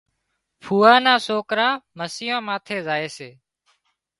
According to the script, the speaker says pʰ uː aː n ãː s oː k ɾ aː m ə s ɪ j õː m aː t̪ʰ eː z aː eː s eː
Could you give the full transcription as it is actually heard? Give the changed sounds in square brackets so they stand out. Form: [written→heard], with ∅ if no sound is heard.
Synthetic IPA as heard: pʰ uː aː n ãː s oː k ɾ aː m ə s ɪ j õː m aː t̪ʰ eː z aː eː s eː